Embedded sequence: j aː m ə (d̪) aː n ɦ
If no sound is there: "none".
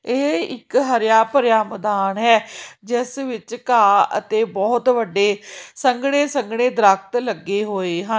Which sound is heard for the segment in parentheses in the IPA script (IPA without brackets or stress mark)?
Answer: d̪